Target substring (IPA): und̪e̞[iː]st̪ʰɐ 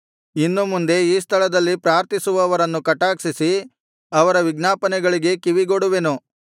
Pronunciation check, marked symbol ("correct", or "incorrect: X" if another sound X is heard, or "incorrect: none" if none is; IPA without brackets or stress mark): correct